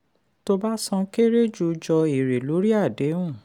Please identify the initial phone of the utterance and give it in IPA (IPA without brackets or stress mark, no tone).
t